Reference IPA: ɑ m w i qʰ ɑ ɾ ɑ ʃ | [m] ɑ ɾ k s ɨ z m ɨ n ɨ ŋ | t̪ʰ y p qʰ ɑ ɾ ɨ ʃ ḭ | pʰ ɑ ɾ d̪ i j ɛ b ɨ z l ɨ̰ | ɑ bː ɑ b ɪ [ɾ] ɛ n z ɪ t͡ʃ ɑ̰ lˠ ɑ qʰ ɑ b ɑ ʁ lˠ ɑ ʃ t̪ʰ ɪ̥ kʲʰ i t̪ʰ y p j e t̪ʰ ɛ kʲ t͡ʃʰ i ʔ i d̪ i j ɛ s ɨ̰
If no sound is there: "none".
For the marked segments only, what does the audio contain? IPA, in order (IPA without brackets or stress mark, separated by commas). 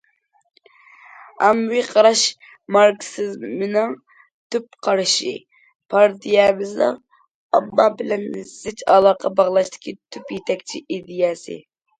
m, l